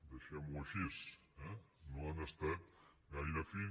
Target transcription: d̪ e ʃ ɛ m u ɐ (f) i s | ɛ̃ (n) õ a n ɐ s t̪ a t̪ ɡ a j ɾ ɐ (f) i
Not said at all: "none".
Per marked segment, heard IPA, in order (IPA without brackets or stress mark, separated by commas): ʃ, n, f